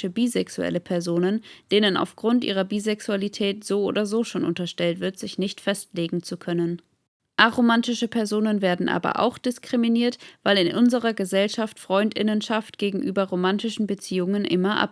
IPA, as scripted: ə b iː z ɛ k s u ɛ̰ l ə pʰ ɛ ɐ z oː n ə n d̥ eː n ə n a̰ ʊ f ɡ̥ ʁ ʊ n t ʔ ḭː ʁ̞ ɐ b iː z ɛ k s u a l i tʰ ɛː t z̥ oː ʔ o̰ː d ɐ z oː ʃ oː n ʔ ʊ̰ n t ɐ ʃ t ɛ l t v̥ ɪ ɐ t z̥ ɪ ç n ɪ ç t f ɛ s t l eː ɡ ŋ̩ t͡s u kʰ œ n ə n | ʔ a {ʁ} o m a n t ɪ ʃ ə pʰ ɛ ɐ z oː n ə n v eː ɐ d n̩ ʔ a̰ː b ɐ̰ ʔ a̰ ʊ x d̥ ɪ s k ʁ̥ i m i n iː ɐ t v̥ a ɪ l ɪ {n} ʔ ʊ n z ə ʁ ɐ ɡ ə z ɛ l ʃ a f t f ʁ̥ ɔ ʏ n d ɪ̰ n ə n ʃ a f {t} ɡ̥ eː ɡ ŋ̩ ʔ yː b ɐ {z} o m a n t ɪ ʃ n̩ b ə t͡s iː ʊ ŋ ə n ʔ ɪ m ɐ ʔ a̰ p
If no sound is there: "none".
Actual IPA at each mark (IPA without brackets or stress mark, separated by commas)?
ʁ, n, t, ʁ